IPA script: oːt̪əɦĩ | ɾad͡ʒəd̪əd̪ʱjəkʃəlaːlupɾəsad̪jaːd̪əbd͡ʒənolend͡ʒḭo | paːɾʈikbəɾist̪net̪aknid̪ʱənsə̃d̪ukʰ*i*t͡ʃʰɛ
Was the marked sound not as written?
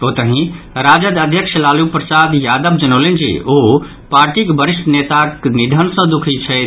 no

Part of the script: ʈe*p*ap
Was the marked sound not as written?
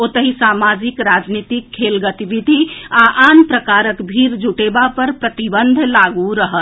yes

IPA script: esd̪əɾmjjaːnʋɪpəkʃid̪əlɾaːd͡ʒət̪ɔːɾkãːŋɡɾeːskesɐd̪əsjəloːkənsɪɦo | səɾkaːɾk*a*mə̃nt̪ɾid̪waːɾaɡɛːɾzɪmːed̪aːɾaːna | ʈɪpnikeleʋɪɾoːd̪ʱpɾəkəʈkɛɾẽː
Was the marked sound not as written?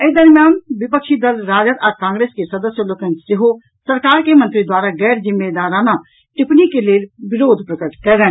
yes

